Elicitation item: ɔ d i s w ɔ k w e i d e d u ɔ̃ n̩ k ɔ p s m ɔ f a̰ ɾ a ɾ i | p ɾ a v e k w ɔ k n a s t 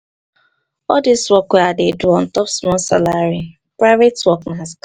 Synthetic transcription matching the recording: ɔ d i s w ɔ k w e a d e d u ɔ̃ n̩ t ɔ p s m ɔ s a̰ l a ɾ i | p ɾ a v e t w ɔ k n a s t